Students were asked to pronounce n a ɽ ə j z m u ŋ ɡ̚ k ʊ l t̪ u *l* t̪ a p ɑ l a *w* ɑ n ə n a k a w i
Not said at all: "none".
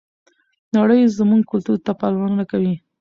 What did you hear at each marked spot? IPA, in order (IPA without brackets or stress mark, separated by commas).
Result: ɾ, w